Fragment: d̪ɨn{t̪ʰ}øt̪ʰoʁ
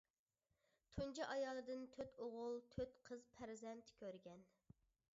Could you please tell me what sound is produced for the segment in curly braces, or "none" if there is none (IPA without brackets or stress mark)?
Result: t̪ʰ